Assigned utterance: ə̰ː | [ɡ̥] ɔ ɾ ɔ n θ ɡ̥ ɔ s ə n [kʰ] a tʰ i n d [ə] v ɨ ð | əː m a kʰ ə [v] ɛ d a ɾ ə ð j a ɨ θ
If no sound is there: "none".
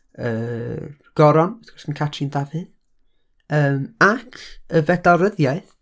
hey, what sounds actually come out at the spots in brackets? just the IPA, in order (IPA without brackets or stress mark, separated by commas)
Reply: ɡ̥, kʰ, a, v